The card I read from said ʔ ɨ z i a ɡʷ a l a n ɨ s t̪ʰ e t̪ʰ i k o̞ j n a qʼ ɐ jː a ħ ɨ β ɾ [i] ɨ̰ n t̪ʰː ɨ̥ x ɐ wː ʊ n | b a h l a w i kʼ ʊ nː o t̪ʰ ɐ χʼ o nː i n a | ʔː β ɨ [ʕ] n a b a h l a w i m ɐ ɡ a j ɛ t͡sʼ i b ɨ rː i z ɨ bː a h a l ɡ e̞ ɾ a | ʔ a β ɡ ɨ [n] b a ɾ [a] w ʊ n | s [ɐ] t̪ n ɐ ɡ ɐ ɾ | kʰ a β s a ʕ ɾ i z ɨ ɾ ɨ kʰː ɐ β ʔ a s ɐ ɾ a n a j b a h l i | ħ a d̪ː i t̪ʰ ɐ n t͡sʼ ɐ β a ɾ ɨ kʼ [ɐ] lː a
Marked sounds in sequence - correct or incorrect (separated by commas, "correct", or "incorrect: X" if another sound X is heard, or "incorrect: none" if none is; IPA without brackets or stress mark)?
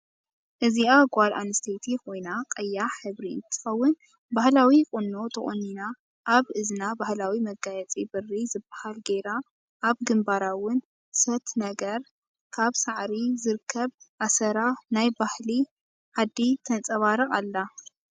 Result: correct, incorrect: z, incorrect: m, correct, correct, incorrect: a